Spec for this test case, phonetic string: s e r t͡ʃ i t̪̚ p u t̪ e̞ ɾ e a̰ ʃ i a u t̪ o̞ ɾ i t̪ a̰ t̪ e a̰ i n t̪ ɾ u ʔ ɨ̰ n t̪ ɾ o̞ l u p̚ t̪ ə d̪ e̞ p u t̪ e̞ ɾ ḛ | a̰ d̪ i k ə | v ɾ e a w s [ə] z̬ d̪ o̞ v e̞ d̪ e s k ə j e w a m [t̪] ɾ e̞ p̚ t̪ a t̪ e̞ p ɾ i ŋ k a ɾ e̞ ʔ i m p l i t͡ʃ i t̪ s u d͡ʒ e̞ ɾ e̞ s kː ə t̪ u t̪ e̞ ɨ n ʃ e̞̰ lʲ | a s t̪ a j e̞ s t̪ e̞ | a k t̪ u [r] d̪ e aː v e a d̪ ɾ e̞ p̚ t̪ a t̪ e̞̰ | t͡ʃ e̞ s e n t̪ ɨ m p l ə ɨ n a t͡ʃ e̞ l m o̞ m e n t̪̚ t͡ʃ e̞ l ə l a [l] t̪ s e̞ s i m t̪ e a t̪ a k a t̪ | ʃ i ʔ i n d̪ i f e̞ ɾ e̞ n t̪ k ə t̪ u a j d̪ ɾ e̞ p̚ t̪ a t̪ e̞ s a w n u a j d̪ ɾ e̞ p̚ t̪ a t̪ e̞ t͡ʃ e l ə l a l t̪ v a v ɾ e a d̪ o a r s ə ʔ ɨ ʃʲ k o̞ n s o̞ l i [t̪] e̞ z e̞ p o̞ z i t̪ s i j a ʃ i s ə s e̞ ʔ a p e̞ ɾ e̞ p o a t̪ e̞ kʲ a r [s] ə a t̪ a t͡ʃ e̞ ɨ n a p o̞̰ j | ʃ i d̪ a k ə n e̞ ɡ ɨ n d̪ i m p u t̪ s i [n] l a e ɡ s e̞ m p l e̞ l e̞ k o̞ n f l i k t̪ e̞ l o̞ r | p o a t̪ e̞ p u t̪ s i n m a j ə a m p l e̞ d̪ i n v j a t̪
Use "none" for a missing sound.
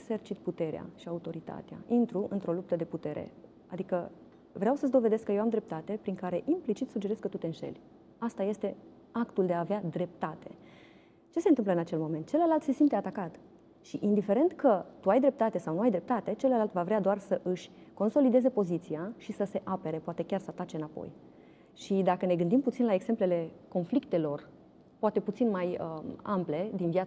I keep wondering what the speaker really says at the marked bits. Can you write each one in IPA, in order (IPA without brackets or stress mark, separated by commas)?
ə, d̪, l, l, d̪, s, n